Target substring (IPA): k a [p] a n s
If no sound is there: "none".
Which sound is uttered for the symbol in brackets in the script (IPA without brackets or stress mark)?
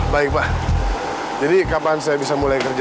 p